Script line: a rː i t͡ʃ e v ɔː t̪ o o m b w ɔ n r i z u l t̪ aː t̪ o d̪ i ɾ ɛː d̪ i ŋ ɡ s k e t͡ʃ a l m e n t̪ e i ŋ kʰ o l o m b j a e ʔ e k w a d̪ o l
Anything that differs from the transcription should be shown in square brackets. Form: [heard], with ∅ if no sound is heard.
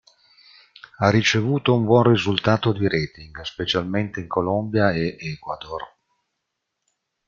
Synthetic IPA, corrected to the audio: a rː i t͡ʃ e v [uː] t̪ o [u] m b w ɔ n r i z u l t̪ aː t̪ o d̪ i ɾ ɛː [t̪] i ŋ ɡ s [p] e t͡ʃ a l m e n t̪ e i ŋ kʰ o l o m b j a e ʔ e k w a d̪ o [r]